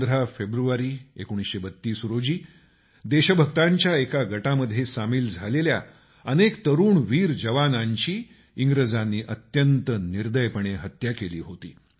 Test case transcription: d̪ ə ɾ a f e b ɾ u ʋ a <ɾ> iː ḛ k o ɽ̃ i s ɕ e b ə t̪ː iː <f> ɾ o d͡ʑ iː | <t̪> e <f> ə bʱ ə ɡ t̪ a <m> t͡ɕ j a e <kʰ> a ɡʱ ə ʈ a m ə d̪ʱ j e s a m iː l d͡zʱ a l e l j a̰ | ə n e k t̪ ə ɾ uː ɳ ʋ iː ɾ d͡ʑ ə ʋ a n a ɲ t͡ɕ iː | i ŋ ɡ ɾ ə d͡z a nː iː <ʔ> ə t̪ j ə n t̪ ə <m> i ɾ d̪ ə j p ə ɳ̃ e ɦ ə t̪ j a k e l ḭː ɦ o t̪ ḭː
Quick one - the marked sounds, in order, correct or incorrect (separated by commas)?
correct, incorrect, incorrect, incorrect, incorrect, incorrect, correct, incorrect